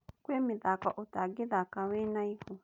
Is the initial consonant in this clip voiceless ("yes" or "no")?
yes